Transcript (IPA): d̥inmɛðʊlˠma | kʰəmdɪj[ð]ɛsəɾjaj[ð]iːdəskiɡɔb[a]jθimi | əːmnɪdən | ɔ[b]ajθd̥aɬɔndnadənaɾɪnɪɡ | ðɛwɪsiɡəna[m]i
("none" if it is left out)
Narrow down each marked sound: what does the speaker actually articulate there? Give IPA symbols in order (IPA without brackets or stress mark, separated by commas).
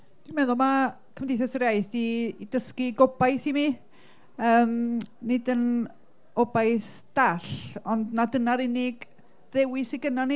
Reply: θ, θ, a, b, n